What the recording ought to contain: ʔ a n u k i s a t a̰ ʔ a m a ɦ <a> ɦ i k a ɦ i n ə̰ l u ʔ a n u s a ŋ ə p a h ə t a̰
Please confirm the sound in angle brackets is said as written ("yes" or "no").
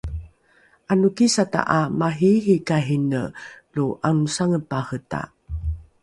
no